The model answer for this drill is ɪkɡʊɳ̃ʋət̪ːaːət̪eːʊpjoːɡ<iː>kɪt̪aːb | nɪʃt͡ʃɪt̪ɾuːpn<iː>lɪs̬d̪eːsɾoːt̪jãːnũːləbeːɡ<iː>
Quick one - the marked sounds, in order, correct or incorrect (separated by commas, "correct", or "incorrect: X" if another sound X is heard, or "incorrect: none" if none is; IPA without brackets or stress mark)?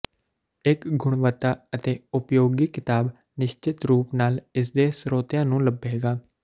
correct, incorrect: aː, incorrect: aː